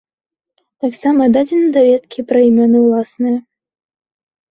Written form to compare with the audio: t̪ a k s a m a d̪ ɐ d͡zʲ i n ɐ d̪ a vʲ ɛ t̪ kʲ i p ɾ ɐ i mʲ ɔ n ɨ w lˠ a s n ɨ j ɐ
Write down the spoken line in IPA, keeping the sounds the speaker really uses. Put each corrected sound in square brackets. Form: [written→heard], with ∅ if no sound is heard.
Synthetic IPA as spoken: t̪ a k s a m [a→ɐ] d̪ [ɐ→a] d͡zʲ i n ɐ d̪ a vʲ ɛ t̪ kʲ i p ɾ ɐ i mʲ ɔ n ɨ w lˠ a s n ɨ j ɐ